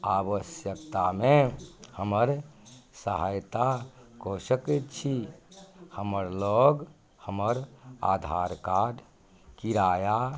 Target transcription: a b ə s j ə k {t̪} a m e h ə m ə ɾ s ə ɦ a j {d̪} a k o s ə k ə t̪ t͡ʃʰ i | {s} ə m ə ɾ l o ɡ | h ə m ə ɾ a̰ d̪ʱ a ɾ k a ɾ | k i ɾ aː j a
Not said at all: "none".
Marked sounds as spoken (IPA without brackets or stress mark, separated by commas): t̪, t̪, h